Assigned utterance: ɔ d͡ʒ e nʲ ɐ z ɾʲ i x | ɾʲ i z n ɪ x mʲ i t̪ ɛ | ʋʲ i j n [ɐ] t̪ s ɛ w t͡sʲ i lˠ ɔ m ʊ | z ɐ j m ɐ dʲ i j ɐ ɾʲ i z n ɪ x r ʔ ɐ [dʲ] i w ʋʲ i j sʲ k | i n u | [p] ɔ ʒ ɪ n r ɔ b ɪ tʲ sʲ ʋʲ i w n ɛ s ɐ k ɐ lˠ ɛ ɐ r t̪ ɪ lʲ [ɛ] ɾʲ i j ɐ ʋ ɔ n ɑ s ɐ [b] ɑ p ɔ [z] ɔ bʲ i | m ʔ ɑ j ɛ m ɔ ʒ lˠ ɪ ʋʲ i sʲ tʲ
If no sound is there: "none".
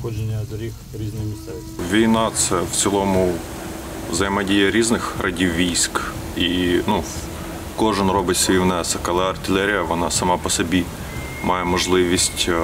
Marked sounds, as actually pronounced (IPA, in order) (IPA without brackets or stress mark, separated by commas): ɑ, dʲ, k, ɛ, m, s